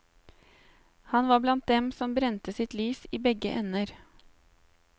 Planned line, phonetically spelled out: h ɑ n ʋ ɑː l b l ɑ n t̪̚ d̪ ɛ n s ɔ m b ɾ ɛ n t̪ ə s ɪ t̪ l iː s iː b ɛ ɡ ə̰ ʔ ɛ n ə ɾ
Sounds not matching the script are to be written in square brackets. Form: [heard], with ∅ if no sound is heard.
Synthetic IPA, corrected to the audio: h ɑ n ʋ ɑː [∅] b l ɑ n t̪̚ d̪ ɛ [m] s ɔ m b ɾ ɛ n t̪ ə s ɪ t̪ l [yː] s iː b ɛ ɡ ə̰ ʔ ɛ n ə ɾ